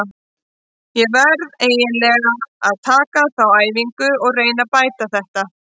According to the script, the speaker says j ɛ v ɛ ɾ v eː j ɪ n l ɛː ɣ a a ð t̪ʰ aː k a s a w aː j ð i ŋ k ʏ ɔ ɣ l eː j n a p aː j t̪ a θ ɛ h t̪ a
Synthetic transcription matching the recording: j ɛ v ɛ ɾ ð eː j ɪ n l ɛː ɣ a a ð t̪ʰ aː k a θ a w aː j v i ŋ k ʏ ɔ ɣ r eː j n a p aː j t̪ a θ ɛ h t̪ a